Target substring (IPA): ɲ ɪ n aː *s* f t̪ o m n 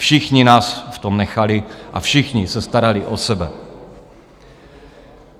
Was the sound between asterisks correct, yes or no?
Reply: yes